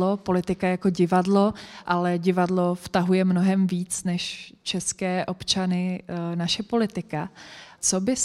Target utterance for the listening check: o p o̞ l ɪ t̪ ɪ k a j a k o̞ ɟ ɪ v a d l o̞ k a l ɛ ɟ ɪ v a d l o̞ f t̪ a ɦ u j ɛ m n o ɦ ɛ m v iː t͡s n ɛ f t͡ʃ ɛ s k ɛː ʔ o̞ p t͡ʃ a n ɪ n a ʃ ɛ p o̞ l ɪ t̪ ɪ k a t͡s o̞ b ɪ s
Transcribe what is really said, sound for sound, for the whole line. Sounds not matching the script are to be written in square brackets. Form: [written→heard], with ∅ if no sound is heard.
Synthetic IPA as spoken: o p o̞ l ɪ t̪ ɪ k a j a k o̞ ɟ ɪ v a d l o̞ [k→ʔ] a l ɛ ɟ ɪ v a d l o̞ f t̪ a ɦ u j ɛ m n o ɦ ɛ m v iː t͡s n ɛ [f→ʃ] t͡ʃ ɛ s k ɛː ʔ o̞ p t͡ʃ a n ɪ n a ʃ ɛ p o̞ l ɪ t̪ ɪ k a t͡s o̞ b ɪ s